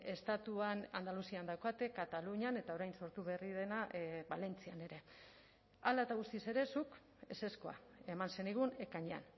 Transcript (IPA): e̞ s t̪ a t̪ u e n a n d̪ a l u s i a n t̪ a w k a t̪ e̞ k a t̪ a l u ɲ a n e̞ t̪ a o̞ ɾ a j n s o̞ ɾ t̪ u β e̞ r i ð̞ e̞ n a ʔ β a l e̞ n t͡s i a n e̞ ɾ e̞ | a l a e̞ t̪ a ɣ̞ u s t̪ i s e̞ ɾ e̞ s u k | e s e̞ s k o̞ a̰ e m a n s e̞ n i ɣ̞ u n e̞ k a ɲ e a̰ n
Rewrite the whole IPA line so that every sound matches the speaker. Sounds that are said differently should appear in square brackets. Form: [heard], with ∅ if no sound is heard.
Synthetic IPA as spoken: e̞ s t̪ a t̪ u [a] n a n d̪ a l u s i a n [d̪] a w k a t̪ e̞ k a t̪ a l u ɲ a n e̞ t̪ a o̞ ɾ a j n s o̞ ɾ t̪ u β e̞ r i ð̞ e̞ n a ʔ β a l e̞ n t͡s i a n e̞ ɾ e̞ | a l a e̞ t̪ a ɣ̞ u s t̪ i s e̞ ɾ e̞ s u k | e s e̞ s k o̞ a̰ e m a n s e̞ n i ɣ̞ u n e̞ k a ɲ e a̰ n

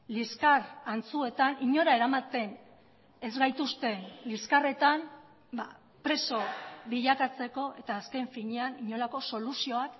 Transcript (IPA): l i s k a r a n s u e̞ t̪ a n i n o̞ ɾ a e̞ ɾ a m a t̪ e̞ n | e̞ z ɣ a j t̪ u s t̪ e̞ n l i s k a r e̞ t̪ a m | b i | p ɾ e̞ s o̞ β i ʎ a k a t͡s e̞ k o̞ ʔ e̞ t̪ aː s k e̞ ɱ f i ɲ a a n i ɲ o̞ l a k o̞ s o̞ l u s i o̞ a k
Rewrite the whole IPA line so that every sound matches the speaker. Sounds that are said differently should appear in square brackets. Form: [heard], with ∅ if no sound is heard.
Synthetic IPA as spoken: l i s k a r a n [t͡s] u e̞ t̪ a n i [ɲ] o̞ ɾ a e̞ ɾ a m a t̪ e̞ n | e̞ z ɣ a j t̪ u s t̪ e̞ n l i s k a r e̞ t̪ a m | b [a] | p ɾ e̞ s o̞ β i ʎ a k a t͡s e̞ k o̞ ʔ e̞ t̪ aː s k e̞ ɱ f i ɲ [e] a n i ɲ o̞ l a k o̞ s o̞ l u s i o̞ a k

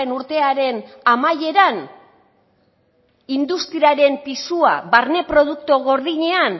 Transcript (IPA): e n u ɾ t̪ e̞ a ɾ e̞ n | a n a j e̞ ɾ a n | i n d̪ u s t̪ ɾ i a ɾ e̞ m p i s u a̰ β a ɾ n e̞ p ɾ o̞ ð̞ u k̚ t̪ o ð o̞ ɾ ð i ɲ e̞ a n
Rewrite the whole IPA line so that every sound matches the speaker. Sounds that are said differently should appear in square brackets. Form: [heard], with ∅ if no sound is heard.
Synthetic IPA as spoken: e n u ɾ t̪ e̞ a ɾ e̞ n | a [m] a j e̞ ɾ a n | i n d̪ u s t̪ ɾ i a ɾ e̞ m p i s u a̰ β a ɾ n e̞ p ɾ o̞ ð̞ u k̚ t̪ o [ɣ] o̞ ɾ ð i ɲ e̞ a n

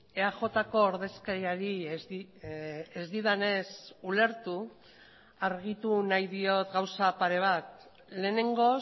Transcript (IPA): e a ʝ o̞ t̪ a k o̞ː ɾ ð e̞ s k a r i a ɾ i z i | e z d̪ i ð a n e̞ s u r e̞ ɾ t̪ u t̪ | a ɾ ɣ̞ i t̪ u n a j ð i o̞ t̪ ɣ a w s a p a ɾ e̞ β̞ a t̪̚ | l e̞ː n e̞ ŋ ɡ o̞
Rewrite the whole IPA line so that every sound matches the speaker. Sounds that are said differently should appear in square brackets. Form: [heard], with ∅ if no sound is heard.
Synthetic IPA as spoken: e a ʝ o̞ t̪ a k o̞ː ɾ ð e̞ s k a [ɾ] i a ɾ i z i | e z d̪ i ð a n e̞ s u [l] e̞ ɾ t̪ u [∅] | a ɾ ɣ̞ i t̪ u n a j ð i o̞ t̪ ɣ a w s a p a ɾ e̞ β̞ a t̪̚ | l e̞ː n e̞ ŋ ɡ o̞

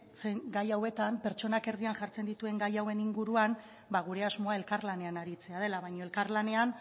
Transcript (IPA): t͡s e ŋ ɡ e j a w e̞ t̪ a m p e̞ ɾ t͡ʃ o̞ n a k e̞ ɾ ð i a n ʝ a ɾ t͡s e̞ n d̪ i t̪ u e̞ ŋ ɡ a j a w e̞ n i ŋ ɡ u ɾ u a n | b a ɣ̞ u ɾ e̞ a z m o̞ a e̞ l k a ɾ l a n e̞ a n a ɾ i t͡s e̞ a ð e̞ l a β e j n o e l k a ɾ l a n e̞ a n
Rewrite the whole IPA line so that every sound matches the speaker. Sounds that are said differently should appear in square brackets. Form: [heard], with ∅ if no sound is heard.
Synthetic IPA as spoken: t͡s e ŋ ɡ [a] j a w e̞ t̪ a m p e̞ ɾ t͡ʃ o̞ n a k e̞ ɾ ð i a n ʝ a ɾ t͡s e̞ n d̪ i t̪ u e̞ ŋ ɡ a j a w e̞ n i ŋ ɡ u ɾ u a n | b a ɣ̞ u ɾ e̞ a z m o̞ a e̞ l k a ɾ l a n e̞ a n a ɾ i t͡s e̞ a ð e̞ l a β [a] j [ɲ] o e l k a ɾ l a n e̞ a n

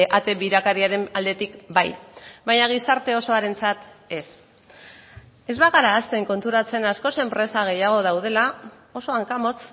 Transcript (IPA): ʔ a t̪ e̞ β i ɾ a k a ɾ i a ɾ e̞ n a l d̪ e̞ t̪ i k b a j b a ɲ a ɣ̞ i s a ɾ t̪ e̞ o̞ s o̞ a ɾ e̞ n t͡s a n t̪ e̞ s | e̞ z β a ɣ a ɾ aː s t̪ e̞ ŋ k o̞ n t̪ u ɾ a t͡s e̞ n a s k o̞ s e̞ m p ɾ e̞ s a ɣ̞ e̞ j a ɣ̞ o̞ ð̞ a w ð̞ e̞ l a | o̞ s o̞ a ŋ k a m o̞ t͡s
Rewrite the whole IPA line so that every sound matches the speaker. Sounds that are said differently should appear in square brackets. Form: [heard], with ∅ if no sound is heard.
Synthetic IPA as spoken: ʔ a t̪ e̞ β i ɾ a k a ɾ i a ɾ e̞ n a l d̪ e̞ t̪ i k b a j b a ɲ a ɣ̞ i s a ɾ t̪ e̞ o̞ s o̞ a ɾ e̞ n t͡s a [∅] t̪ e̞ s | e̞ z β a ɣ a ɾ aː s t̪ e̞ ŋ k o̞ n t̪ u ɾ a t͡s e̞ n a s k o̞ s e̞ m p ɾ e̞ s a ɣ̞ e̞ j a ɣ̞ o̞ ð̞ a w ð̞ e̞ l a | o̞ s o̞ a ŋ k a m o̞ t͡s

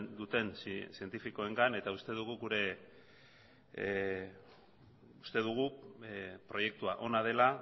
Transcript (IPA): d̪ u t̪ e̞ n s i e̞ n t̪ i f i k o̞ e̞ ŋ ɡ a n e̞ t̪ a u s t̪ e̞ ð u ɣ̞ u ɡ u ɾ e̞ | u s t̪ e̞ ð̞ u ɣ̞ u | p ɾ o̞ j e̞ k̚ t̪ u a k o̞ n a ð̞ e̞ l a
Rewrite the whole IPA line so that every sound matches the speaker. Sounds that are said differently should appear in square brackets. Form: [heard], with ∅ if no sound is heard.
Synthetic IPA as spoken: d̪ u t̪ e̞ n s i e̞ n t̪ i f i k o̞ e̞ ŋ ɡ a n e̞ t̪ a u s t̪ e̞ ð u ɣ̞ u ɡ u ɾ e̞ | u s t̪ e̞ ð̞ u ɣ̞ u | p ɾ o̞ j e̞ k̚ t̪ u a [ʔ] o̞ n a ð̞ e̞ l a

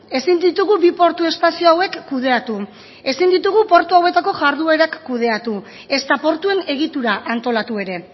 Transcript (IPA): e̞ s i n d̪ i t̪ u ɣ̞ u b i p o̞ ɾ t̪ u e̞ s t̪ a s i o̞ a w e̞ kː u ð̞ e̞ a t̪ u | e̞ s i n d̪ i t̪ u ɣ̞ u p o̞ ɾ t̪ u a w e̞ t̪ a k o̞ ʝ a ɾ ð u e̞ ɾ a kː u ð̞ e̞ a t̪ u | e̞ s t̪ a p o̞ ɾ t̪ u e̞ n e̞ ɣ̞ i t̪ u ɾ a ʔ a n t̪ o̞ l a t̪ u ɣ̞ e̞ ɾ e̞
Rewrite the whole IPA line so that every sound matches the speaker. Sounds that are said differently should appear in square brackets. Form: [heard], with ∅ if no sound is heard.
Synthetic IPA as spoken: e̞ s i n d̪ i t̪ u ɣ̞ u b i p o̞ ɾ t̪ u e̞ s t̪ a s i o̞ a w e̞ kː u ð̞ e̞ a t̪ u | e̞ s i n d̪ i t̪ u ɣ̞ u p o̞ ɾ t̪ u a w e̞ t̪ a k o̞ ʝ a ɾ ð u e̞ ɾ a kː u ð̞ e̞ a t̪ u | e̞ s t̪ a p o̞ ɾ t̪ u e̞ n e̞ ɣ̞ i t̪ u ɾ a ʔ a n t̪ o̞ l a t̪ u [∅] e̞ ɾ e̞

